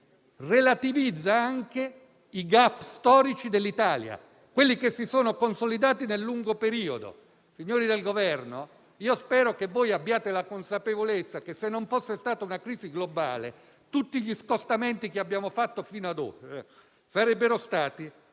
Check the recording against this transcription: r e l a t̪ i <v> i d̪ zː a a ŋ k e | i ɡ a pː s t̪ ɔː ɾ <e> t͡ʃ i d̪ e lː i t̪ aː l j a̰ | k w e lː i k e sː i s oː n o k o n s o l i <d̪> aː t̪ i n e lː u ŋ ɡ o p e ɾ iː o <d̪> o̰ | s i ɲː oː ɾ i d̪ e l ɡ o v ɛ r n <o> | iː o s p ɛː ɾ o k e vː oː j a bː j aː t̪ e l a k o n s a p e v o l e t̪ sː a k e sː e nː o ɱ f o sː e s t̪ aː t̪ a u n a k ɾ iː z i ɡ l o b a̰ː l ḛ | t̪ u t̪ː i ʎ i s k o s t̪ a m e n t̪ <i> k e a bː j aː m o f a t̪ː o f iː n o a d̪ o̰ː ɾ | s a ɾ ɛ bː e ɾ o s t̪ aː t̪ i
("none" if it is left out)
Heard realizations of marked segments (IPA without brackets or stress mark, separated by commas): v, i, d̪, d̪, o, i